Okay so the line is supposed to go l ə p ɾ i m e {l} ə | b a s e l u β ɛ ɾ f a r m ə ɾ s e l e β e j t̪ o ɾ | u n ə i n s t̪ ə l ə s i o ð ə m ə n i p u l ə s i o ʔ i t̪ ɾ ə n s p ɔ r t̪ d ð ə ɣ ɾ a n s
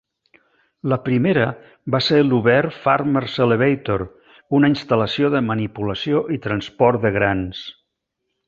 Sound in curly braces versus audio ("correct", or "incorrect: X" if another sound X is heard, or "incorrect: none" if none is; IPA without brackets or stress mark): incorrect: ɾ